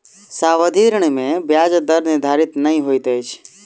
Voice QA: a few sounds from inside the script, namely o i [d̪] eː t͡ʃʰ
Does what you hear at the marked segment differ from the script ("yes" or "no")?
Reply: yes